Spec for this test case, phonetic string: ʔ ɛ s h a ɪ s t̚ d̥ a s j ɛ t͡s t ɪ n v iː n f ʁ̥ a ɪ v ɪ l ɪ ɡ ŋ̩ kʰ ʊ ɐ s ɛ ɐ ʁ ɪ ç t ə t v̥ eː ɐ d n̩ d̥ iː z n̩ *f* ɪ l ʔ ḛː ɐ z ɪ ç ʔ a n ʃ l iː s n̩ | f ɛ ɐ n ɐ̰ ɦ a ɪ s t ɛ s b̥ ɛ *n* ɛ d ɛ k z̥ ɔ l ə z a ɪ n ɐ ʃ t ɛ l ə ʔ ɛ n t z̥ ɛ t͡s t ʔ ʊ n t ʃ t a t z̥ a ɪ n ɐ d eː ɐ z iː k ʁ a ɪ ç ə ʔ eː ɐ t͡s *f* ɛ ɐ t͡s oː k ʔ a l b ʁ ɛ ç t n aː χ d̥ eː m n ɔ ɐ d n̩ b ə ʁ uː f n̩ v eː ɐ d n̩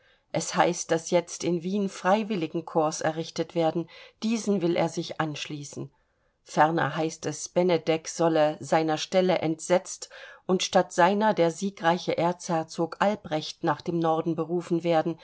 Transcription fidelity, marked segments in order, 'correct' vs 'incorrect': incorrect, correct, incorrect

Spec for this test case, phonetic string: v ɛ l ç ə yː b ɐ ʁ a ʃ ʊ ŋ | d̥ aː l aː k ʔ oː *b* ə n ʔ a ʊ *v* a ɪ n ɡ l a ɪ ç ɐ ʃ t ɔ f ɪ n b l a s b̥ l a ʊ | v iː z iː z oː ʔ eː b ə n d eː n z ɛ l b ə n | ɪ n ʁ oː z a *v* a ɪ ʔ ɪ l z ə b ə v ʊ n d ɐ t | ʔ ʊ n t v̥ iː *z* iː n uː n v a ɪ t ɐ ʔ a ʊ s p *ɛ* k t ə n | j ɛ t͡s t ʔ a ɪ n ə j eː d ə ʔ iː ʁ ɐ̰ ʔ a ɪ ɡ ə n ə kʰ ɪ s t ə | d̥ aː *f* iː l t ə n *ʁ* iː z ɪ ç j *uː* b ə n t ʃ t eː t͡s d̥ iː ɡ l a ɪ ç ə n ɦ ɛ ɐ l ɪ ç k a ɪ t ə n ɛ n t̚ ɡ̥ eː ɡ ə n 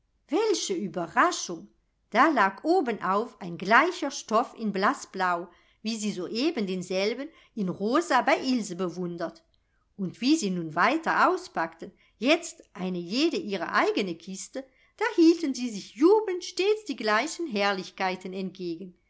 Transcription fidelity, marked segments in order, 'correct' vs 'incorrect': correct, incorrect, incorrect, correct, incorrect, incorrect, incorrect, correct

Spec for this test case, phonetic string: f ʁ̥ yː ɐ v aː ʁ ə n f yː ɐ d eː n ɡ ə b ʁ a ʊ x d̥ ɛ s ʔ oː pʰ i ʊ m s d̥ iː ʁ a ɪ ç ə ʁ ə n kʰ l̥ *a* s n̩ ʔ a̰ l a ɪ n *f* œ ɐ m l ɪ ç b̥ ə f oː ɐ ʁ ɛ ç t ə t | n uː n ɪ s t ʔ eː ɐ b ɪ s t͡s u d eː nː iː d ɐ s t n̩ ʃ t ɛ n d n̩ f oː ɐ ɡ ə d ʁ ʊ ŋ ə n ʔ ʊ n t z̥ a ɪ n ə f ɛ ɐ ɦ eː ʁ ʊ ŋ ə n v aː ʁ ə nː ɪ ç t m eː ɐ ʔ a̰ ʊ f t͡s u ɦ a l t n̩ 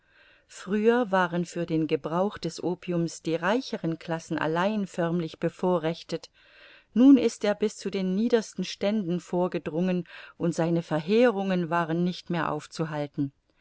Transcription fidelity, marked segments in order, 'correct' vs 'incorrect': correct, correct

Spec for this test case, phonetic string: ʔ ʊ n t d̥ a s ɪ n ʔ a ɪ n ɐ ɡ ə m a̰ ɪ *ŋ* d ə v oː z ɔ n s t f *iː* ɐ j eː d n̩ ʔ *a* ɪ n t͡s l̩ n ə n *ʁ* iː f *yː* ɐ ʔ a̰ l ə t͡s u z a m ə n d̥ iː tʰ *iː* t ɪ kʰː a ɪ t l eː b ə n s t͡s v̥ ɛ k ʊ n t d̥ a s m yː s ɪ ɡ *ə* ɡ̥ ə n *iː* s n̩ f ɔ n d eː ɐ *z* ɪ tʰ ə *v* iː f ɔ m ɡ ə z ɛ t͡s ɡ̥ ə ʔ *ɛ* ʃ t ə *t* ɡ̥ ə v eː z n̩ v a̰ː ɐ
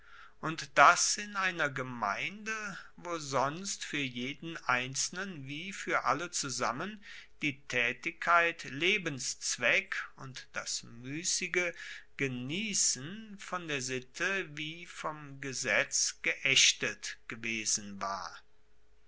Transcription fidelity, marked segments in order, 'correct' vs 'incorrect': incorrect, incorrect, correct, incorrect, correct, incorrect, correct, correct, correct, correct, correct, correct

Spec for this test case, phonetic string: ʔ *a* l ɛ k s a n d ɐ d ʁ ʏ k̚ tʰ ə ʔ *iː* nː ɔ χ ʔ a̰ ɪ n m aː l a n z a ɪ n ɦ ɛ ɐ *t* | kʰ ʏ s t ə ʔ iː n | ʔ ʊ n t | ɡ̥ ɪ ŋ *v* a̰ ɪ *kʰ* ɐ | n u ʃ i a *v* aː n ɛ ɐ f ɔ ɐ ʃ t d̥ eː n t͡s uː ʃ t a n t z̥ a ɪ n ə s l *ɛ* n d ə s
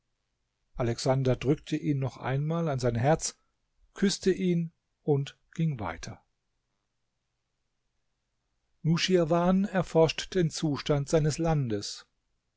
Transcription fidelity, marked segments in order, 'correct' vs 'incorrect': correct, correct, incorrect, correct, incorrect, correct, incorrect

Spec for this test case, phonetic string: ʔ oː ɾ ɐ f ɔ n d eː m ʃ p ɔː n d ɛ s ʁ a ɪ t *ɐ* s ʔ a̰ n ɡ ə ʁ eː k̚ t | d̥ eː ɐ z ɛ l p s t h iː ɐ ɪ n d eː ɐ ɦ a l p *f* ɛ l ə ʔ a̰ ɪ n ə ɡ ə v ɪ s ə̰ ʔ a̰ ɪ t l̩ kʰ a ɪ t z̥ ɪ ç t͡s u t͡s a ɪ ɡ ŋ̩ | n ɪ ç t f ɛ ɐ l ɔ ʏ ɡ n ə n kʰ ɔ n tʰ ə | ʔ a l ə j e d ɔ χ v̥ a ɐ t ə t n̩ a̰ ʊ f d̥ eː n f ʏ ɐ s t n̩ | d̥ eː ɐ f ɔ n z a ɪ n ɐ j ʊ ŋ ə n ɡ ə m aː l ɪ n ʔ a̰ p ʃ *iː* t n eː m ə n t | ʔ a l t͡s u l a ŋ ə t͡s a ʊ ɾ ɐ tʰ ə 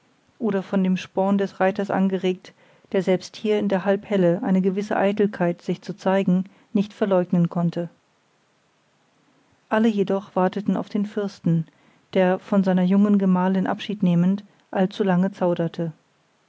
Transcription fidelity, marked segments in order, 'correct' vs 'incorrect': correct, incorrect, correct

